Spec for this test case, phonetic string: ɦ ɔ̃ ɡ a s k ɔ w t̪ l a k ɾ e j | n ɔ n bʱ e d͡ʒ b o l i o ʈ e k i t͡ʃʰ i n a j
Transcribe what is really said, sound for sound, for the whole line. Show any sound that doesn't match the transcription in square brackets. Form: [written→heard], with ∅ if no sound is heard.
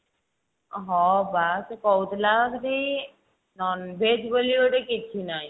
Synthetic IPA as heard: ɦ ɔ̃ [ɡ→b] a s k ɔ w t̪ l a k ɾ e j | n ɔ n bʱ e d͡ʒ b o l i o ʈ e k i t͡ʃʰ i n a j